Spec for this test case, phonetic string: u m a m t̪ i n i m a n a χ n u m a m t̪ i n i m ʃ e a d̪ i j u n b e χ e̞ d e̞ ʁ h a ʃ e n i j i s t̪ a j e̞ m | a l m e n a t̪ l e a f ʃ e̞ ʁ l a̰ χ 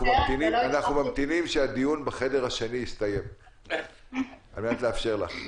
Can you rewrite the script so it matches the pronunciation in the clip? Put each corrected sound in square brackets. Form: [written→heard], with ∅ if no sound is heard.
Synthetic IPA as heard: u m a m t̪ i n i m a n a χ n u m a m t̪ i n i m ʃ e a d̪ i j u n b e χ e̞ d e̞ ʁ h a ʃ e n i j i s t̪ a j e̞ m | a l m e n a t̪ l e a f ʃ e̞ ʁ l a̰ χ